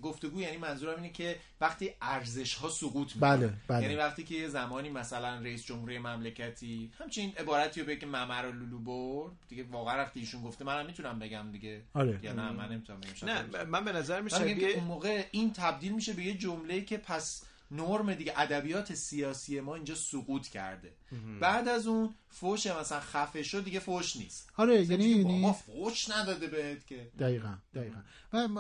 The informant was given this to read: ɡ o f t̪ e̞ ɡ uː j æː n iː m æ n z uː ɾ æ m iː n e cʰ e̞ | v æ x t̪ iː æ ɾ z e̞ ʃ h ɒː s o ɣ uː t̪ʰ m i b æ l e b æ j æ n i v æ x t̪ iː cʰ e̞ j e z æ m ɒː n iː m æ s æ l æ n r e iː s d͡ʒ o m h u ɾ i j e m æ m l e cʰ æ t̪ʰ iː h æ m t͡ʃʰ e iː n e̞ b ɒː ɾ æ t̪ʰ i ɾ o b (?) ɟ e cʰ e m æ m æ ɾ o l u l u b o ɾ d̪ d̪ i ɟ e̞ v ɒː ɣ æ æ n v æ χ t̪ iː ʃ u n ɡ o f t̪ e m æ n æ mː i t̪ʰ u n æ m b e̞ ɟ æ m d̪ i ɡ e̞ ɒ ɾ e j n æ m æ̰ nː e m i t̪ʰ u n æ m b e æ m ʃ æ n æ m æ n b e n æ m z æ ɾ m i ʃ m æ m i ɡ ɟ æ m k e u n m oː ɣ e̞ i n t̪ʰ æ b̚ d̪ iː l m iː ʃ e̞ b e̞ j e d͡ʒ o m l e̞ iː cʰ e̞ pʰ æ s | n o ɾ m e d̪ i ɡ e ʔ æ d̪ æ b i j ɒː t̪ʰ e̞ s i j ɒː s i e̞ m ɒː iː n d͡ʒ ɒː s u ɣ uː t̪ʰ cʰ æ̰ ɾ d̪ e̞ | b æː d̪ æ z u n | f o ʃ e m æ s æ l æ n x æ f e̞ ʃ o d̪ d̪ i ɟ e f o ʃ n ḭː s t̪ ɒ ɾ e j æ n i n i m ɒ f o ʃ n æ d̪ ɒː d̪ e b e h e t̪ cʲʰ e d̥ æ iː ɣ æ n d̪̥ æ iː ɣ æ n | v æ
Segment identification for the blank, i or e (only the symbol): e